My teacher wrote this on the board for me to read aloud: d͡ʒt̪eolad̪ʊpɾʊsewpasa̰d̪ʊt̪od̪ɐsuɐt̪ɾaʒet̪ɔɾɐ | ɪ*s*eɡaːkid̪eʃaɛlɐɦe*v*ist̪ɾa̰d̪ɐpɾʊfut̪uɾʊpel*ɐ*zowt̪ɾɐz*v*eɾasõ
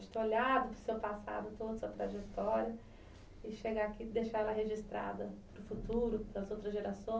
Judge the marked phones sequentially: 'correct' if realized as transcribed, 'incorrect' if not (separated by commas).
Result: incorrect, incorrect, correct, incorrect